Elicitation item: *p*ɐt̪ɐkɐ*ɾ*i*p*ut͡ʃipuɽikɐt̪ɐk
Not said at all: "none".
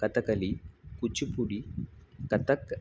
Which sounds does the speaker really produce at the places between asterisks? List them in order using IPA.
k, l, k

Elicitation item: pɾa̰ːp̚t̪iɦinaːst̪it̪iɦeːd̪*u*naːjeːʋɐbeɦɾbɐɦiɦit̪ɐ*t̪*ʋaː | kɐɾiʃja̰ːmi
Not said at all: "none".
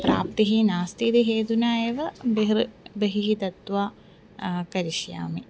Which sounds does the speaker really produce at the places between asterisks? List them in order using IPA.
u, t̪

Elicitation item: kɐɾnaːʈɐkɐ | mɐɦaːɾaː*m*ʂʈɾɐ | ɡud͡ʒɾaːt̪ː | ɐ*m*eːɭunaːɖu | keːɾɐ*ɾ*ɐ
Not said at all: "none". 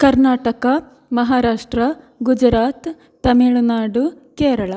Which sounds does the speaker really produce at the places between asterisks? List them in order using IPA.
none, m, ɭ

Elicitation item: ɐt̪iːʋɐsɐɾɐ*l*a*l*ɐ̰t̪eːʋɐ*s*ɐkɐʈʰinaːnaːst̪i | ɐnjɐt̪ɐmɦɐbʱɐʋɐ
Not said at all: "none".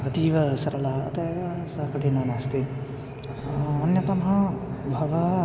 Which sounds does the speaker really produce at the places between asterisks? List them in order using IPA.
l, none, s

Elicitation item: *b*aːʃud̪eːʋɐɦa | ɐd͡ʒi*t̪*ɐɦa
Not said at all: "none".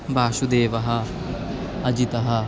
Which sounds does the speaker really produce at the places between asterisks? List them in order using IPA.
b, t̪

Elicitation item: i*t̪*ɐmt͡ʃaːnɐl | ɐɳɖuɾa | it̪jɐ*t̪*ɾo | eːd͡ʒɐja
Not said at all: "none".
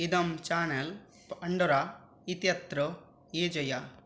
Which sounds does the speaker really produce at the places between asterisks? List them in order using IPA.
d̪, t̪

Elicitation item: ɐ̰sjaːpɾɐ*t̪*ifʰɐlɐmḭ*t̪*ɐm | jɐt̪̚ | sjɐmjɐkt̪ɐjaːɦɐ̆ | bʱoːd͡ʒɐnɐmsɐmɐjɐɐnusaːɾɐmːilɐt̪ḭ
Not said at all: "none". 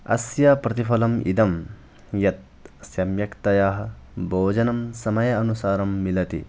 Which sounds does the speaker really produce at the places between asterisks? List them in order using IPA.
t̪, d̪

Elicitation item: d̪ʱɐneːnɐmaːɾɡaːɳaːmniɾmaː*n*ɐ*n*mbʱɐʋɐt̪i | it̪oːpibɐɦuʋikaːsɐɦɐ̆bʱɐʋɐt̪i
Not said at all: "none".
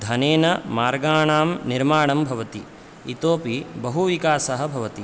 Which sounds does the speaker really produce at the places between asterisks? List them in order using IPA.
ɳ, none

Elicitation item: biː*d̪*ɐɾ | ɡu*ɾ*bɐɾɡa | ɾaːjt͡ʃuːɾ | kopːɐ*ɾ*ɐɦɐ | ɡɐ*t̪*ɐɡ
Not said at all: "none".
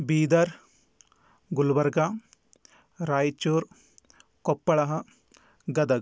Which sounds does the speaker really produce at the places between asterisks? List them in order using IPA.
d̪, l, ɭ, d̪

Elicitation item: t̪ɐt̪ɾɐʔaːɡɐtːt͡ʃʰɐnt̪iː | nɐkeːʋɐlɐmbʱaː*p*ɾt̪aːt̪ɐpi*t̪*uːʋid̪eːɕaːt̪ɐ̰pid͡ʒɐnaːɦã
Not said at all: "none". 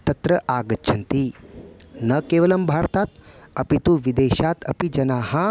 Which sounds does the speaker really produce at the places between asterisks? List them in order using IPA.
none, t̪

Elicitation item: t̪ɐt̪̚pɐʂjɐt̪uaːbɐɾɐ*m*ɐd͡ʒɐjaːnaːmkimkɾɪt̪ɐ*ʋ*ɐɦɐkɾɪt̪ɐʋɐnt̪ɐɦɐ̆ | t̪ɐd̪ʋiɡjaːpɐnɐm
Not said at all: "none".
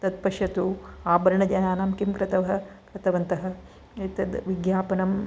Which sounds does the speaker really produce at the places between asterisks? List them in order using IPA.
ɳ, ʋ

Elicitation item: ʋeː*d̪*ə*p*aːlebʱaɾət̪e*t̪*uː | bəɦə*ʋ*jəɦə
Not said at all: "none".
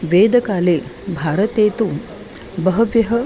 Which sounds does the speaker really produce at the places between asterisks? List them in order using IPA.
d̪, k, t̪, ʋ

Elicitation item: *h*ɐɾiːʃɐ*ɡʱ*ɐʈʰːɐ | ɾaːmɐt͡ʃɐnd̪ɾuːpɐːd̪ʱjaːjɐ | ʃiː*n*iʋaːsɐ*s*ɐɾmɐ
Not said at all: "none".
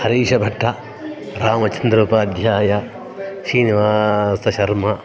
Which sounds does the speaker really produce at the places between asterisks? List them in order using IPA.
h, bʱ, n, ʃ

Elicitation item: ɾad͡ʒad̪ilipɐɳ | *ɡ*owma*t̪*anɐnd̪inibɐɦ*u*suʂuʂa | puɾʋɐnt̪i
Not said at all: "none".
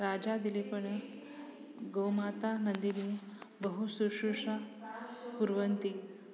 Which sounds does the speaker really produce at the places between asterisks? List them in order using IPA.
ɡ, t̪, u

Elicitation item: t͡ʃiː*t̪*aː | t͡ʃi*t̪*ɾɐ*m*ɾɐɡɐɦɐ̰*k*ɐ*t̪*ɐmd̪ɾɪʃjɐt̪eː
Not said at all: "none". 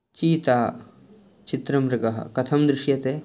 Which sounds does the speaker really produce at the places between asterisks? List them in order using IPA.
t̪, t̪, m, k, t̪ʰ

